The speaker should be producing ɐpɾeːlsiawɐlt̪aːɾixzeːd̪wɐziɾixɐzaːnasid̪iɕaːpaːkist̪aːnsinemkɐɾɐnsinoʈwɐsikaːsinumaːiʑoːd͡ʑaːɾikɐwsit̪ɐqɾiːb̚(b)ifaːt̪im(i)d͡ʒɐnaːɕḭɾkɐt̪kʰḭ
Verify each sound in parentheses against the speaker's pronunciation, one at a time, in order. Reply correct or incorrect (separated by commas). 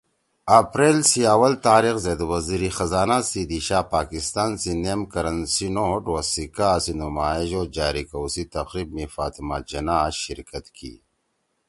incorrect, incorrect